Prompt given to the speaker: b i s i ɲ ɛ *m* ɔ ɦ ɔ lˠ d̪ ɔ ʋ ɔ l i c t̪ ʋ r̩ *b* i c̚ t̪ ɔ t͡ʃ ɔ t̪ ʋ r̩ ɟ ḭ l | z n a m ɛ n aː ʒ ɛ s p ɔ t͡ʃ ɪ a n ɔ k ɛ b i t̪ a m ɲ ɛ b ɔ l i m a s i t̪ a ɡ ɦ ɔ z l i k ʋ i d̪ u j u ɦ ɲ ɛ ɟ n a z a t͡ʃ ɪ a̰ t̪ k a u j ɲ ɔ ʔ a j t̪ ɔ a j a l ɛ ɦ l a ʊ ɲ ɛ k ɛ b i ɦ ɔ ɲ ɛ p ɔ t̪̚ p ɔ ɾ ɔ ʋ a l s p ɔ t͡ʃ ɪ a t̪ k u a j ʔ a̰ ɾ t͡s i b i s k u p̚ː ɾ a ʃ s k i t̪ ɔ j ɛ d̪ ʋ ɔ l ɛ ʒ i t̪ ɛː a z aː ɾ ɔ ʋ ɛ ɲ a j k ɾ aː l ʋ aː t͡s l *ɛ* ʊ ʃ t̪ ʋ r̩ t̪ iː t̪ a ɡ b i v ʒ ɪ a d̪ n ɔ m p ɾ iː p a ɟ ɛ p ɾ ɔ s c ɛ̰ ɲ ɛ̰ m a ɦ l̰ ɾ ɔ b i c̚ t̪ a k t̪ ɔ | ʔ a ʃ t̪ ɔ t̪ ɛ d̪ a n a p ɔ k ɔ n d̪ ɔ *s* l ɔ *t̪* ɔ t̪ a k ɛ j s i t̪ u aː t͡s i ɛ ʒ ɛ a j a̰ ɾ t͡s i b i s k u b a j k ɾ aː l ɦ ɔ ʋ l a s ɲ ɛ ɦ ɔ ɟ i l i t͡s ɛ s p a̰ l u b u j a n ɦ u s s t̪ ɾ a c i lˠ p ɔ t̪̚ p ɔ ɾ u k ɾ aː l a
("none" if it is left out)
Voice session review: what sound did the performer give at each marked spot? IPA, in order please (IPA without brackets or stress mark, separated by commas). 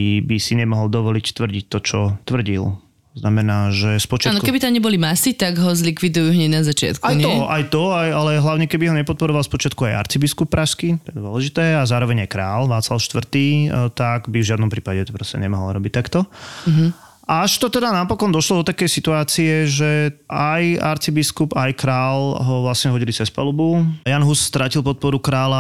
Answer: m, ɟ, a, ʃ, d̪